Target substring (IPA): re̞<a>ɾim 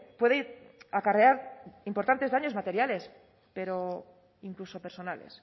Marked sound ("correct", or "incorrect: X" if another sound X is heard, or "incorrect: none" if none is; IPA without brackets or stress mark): correct